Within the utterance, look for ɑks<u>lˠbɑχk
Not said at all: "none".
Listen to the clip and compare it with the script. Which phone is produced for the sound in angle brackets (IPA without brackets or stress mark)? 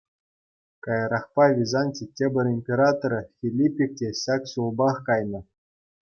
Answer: u